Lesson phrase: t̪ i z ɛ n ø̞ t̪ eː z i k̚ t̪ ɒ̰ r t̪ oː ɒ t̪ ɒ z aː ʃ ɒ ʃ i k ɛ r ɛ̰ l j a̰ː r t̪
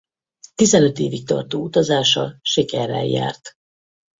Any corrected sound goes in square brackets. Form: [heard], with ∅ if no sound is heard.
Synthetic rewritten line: t̪ i z ɛ n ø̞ t̪ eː [v] i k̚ t̪ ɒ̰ r t̪ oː [u] t̪ ɒ z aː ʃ ɒ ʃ i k ɛ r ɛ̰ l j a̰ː r t̪